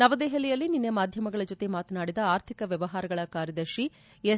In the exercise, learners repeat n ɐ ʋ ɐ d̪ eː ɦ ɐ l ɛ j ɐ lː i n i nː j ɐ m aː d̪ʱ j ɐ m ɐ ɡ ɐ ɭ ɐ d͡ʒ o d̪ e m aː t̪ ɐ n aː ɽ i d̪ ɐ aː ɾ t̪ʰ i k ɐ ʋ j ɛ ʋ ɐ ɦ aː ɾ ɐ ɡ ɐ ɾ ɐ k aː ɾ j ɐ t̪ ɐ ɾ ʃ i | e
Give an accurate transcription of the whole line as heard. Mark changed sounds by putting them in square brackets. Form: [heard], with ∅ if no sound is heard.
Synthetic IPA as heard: n ɐ ʋ ɐ d̪ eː ɦ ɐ l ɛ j ɐ lː i n i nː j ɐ m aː d̪ʱ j ɐ m ɐ ɡ ɐ ɭ ɐ d͡ʒ o [t̪] e m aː t̪ ɐ n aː ɽ i d̪ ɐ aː ɾ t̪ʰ i k ɐ ʋ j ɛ ʋ ɐ ɦ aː ɾ ɐ ɡ ɐ [ɭ] ɐ k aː ɾ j ɐ [d̪] ɐ ɾ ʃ i | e

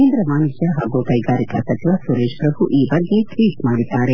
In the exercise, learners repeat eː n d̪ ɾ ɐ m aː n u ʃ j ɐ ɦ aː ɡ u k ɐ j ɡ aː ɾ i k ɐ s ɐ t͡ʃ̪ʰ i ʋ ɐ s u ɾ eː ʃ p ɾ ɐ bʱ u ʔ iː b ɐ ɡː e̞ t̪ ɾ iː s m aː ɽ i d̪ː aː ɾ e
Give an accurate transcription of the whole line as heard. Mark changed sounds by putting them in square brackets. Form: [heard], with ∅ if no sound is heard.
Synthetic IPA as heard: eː n d̪ ɾ ɐ m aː n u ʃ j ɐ ɦ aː ɡ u k ɐ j ɡ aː ɾ i k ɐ s ɐ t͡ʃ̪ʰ i ʋ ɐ s u ɾ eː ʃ p ɾ ɐ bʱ u ʔ iː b ɐ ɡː e̞ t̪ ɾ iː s m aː ɽ i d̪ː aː ɾ e

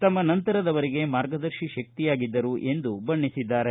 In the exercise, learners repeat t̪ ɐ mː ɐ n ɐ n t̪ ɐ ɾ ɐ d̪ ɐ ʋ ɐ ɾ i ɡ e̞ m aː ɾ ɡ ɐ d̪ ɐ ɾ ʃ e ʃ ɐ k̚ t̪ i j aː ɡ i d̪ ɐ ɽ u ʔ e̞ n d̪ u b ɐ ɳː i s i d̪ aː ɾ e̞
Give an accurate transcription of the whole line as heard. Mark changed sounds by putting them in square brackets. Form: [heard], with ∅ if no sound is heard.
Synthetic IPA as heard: t̪ ɐ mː ɐ n ɐ n t̪ ɐ ɾ ɐ d̪ ɐ ʋ ɐ ɾ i ɡ e̞ m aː ɾ ɡ ɐ d̪ ɐ ɾ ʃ [i] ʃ ɐ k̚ t̪ i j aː ɡ i [d̪ː] ɐ [ɾ] u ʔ e̞ n d̪ u b ɐ ɳː i s i [d̪ː] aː ɾ e̞

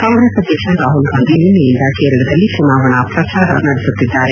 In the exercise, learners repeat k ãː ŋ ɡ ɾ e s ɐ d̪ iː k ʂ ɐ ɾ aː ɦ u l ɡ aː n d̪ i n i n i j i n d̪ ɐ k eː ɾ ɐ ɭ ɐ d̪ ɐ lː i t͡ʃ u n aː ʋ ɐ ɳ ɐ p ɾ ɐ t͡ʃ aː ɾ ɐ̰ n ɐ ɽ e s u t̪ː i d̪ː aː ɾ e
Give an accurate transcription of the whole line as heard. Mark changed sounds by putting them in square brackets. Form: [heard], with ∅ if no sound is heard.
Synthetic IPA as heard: k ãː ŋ ɡ ɾ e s ɐ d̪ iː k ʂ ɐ ɾ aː ɦ u l ɡ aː n d̪ i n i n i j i n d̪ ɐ k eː ɾ ɐ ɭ ɐ d̪ ɐ lː i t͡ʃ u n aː ʋ ɐ ɳ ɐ p ɾ ɐ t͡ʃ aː ɾ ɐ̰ n ɐ ɽ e s u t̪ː i d̪ː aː ɾ e

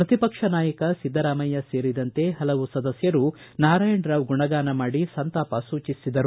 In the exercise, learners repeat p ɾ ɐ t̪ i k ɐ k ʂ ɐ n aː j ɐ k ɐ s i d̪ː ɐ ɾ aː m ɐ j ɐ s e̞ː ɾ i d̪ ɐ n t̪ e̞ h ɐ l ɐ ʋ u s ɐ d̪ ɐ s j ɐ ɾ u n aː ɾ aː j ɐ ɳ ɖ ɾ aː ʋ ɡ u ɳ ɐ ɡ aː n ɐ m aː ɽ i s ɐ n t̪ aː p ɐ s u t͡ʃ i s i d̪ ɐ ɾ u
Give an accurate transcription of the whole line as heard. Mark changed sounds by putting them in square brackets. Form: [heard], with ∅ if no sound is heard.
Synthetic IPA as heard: p ɾ ɐ t̪ i [p] ɐ k ʂ ɐ n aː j ɐ k ɐ s i d̪ː ɐ ɾ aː m ɐ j ɐ s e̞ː ɾ i d̪ ɐ n t̪ e̞ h ɐ l ɐ ʋ u s ɐ d̪ ɐ s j ɐ ɾ u n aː ɾ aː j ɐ ɳ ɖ ɾ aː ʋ ɡ u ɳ ɐ ɡ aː n ɐ m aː ɽ i s ɐ n t̪ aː p ɐ s [uː] t͡ʃ i s i d̪ ɐ ɾ u

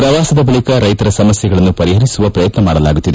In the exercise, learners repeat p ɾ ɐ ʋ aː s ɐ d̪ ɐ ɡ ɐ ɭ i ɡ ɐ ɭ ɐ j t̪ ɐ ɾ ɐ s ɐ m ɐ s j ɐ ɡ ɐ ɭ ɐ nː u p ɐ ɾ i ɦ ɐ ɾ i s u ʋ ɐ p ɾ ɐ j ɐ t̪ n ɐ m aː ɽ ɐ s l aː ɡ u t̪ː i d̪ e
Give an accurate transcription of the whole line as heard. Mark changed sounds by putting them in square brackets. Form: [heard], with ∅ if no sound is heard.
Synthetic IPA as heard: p ɾ ɐ ʋ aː s ɐ d̪ ɐ [b] ɐ ɭ i [k] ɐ [ɾ] ɐ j t̪ ɐ ɾ ɐ s ɐ m ɐ s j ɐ ɡ ɐ ɭ ɐ nː u p ɐ ɾ i ɦ ɐ ɾ i s u ʋ ɐ p ɾ ɐ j ɐ t̪ n ɐ m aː ɽ ɐ [∅] l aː ɡ u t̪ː i d̪ e

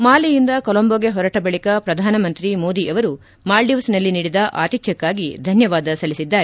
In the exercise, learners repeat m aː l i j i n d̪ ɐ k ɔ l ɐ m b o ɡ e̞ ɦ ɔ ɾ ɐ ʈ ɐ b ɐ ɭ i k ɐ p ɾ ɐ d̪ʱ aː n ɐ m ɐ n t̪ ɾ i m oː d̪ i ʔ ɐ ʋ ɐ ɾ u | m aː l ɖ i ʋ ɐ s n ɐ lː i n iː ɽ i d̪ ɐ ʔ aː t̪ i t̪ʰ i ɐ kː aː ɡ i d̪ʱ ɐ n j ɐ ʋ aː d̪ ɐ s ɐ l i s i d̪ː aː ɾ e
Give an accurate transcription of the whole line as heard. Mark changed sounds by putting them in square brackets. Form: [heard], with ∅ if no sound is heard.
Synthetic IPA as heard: m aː l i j i n d̪ ɐ k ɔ l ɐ m b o ɡ e̞ ɦ ɔ ɾ ɐ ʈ ɐ b ɐ ɭ i k ɐ p ɾ ɐ d̪ʱ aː n ɐ m ɐ n t̪ ɾ i m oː d̪ i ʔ ɐ ʋ ɐ ɾ u | m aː l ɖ i ʋ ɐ s n ɐ lː i n iː ɽ i d̪ ɐ ʔ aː t̪ i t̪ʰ [j] ɐ kː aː ɡ i d̪ʱ ɐ n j ɐ ʋ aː d̪ ɐ s ɐ l i s i d̪ː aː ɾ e

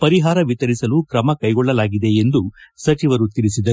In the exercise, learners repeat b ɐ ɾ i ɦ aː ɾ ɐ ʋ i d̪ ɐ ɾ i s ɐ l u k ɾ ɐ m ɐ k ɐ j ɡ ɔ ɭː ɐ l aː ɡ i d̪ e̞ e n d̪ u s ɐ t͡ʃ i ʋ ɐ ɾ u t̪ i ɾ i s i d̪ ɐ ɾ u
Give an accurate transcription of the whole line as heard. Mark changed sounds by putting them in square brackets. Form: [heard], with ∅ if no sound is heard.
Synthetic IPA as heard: [p] ɐ ɾ i ɦ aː ɾ ɐ ʋ i [t̪] ɐ ɾ i s ɐ l u k ɾ ɐ m ɐ k ɐ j ɡ ɔ ɭː ɐ l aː ɡ i d̪ e̞ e n d̪ u s ɐ t͡ʃ i ʋ ɐ ɾ u t̪ i ɾ i s i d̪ ɐ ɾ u

